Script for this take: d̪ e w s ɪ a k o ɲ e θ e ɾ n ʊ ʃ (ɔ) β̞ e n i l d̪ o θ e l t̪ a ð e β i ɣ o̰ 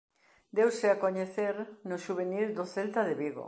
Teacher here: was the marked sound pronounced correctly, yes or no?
no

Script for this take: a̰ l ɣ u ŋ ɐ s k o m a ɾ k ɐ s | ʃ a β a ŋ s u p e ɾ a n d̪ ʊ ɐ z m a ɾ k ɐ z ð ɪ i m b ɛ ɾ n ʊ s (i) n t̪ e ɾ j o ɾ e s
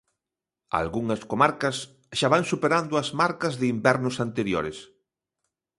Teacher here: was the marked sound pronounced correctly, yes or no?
no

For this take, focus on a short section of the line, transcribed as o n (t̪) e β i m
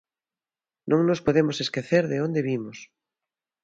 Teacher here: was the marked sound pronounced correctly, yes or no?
no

